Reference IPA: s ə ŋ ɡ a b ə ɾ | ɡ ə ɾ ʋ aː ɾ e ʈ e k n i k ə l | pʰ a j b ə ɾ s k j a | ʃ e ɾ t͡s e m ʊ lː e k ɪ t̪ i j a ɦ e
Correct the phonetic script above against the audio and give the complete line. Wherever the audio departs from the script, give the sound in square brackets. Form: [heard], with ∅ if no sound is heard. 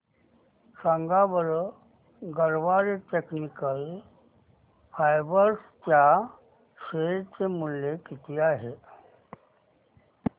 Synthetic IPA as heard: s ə ŋ ɡ a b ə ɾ | ɡ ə ɾ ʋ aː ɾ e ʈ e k n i k ə l | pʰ a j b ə ɾ s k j a | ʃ e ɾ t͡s e m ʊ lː e k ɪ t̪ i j a ɦ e